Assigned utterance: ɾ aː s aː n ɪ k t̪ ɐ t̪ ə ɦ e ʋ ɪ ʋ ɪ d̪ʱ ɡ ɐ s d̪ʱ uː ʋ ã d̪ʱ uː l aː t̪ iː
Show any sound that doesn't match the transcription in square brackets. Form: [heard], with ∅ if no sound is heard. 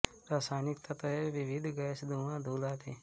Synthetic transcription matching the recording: ɾ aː s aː n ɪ k t̪ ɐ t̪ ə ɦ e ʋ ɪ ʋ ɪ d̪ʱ ɡ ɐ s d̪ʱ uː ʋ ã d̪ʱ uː l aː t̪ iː